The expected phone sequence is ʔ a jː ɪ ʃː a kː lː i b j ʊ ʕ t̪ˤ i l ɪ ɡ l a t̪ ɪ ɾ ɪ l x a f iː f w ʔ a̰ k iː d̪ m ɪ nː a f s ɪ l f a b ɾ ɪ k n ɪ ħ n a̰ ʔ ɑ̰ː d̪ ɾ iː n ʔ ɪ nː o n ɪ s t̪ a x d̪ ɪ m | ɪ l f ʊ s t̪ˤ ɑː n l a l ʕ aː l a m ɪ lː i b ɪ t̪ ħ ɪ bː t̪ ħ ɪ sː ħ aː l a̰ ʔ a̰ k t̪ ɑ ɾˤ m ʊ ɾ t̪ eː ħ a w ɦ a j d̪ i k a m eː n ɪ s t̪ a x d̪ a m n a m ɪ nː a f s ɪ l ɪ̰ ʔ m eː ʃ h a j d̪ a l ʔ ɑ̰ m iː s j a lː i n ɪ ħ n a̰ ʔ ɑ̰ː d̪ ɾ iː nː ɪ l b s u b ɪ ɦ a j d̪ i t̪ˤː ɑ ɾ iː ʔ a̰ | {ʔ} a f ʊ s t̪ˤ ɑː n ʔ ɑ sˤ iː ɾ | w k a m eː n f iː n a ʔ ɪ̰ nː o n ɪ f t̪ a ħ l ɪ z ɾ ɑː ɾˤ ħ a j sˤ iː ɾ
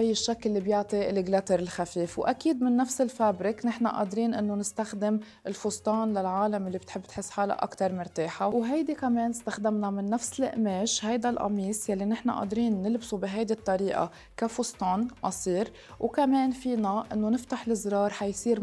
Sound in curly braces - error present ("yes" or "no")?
yes